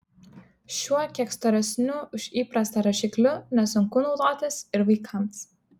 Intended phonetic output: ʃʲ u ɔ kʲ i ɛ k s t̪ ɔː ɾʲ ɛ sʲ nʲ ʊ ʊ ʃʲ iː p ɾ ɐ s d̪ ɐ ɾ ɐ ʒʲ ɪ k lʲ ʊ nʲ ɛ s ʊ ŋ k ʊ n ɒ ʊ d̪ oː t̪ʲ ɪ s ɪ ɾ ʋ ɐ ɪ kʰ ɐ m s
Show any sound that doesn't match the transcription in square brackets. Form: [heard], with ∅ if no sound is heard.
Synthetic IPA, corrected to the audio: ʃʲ u ɔ kʲ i ɛ k s t̪ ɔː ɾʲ ɛ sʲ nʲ ʊ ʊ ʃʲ iː p ɾ ɐ s [t̪] ɐ ɾ ɐ [ʃʲ] ɪ k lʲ ʊ nʲ ɛ s ʊ ŋ k ʊ n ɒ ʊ d̪ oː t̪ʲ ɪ s ɪ ɾ ʋ ɐ ɪ kʰ ɐ m s